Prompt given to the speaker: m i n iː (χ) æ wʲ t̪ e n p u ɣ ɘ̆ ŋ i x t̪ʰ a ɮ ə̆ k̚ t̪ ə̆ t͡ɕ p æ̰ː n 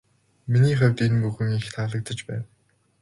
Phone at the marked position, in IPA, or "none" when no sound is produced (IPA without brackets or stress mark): χ